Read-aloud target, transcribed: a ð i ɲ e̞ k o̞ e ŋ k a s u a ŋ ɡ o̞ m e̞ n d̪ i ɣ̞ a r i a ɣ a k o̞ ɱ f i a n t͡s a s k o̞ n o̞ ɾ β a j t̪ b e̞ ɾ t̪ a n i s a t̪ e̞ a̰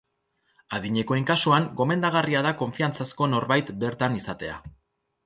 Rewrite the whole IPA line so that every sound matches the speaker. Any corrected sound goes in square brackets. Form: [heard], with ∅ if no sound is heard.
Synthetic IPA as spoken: a ð i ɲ e̞ k o̞ e ŋ k a s u a ŋ ɡ o̞ m e̞ n d̪ [a] ɣ̞ a r i a [ð] a k o̞ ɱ f i a n t͡s a s k o̞ n o̞ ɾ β a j t̪ b e̞ ɾ t̪ a n i s a t̪ e̞ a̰